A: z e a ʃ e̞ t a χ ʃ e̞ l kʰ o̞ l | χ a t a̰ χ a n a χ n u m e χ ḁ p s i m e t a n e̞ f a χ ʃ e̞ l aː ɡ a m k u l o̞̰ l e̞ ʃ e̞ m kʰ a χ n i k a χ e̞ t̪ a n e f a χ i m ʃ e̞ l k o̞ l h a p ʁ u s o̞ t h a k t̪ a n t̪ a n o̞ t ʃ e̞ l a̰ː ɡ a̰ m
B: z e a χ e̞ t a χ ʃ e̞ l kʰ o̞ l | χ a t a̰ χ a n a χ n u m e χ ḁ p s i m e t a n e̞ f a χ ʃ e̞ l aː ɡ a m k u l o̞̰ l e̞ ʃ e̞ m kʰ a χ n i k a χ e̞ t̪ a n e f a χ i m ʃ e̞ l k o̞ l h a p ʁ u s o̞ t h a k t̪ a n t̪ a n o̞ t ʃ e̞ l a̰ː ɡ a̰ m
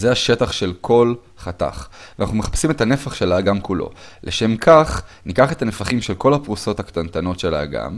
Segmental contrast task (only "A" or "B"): A